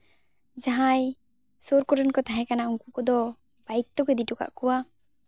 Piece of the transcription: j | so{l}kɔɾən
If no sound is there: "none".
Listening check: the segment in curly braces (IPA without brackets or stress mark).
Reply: ɾ